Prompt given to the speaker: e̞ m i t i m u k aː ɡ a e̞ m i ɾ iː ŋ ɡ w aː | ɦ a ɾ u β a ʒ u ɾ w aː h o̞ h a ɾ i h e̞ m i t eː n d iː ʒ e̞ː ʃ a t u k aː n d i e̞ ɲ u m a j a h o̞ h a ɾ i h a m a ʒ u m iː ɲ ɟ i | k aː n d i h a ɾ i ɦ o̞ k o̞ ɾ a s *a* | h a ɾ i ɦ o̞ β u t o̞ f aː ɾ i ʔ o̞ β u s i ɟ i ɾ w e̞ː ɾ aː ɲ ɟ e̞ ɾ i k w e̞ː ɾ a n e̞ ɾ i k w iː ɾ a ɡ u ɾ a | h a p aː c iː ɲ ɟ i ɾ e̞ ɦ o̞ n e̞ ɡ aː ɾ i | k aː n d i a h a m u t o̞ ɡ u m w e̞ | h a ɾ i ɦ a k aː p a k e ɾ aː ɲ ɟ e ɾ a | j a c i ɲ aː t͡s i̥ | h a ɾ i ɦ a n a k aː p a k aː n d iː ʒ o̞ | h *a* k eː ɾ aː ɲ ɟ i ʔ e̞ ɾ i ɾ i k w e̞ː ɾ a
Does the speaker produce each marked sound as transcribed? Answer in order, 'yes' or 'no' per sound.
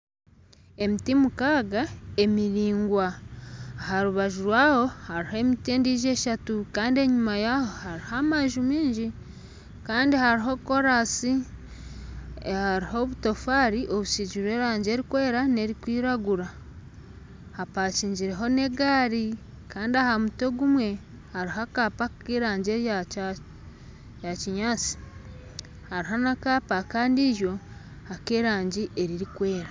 no, yes

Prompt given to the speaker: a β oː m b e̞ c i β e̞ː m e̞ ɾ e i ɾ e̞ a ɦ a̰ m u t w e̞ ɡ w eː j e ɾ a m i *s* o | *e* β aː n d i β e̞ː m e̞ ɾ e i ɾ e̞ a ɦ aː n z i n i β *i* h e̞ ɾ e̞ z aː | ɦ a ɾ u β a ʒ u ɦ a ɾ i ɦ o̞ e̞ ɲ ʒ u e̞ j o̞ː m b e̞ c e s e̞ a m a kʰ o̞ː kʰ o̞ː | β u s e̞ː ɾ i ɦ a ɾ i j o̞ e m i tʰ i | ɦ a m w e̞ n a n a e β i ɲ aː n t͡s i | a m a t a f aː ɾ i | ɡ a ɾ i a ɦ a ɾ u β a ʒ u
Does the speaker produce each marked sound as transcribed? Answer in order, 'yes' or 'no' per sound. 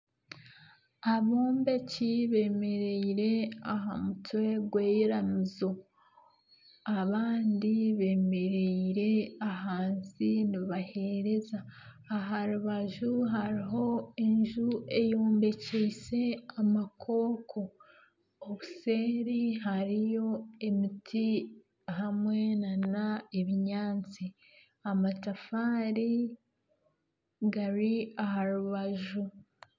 no, no, no

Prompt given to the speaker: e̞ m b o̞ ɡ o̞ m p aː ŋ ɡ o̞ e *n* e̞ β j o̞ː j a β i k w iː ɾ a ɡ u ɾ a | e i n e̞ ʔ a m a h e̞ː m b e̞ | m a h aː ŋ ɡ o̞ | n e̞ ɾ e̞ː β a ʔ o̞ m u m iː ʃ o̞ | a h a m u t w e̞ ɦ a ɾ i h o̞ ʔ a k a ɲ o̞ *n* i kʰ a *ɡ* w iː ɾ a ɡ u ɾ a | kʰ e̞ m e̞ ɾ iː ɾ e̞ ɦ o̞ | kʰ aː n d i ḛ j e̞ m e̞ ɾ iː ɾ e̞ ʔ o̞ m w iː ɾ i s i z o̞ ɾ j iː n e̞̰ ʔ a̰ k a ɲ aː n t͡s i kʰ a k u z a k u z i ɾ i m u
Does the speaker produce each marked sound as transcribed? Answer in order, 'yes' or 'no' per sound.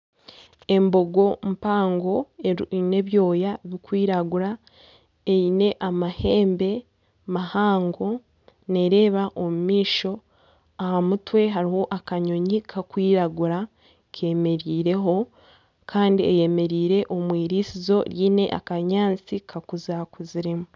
yes, no, no

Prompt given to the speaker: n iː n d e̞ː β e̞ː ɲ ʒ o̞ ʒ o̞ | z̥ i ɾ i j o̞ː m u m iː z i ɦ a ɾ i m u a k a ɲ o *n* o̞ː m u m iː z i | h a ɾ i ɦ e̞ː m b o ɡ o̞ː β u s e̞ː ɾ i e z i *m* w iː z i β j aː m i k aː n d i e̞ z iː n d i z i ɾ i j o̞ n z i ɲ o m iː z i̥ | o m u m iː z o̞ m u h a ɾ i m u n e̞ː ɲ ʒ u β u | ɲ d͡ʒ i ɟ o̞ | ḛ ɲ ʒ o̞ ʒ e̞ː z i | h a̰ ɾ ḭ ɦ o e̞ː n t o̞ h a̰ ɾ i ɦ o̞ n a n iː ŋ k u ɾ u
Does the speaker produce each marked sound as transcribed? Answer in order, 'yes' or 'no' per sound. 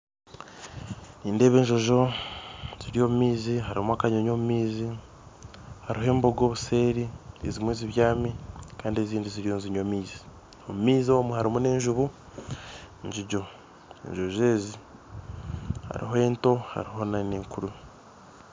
no, yes

